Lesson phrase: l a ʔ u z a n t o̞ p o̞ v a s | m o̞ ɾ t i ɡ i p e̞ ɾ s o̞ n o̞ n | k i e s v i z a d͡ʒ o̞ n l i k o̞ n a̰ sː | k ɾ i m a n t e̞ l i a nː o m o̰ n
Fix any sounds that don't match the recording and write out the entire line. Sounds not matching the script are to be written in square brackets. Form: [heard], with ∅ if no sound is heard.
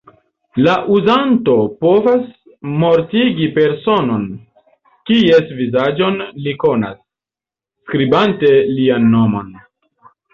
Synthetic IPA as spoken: l a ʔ u z a n t o̞ p o̞ v a s | m o̞ ɾ t i ɡ i p e̞ ɾ s o̞ n o̞ n | k i e s v i z a d͡ʒ o̞ n l i k o̞ n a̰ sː | k ɾ i [b] a n t e̞ l i a nː o m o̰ n